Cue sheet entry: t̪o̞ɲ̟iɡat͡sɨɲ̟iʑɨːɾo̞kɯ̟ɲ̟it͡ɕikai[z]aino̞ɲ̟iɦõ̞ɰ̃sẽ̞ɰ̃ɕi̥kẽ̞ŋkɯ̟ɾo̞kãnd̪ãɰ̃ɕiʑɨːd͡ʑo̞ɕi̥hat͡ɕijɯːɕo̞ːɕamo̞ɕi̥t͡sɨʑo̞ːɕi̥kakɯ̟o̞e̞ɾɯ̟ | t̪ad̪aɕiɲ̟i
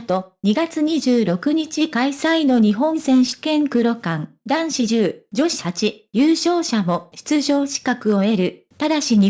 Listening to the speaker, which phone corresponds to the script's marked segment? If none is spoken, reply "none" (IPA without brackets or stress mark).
s